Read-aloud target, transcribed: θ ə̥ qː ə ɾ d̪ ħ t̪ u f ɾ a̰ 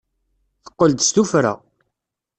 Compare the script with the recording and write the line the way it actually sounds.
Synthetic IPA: θ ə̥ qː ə l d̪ s t̪ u f ɾ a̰